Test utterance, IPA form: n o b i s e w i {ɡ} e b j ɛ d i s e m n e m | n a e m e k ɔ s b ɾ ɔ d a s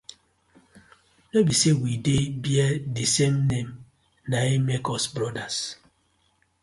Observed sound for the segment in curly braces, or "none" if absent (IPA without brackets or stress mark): d